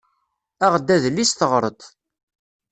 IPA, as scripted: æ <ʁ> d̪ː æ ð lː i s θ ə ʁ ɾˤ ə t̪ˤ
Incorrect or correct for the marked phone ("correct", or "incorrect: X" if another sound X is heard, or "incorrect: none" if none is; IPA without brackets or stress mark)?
correct